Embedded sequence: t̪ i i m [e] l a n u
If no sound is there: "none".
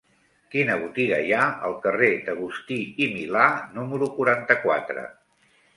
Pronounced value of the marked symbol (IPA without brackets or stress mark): i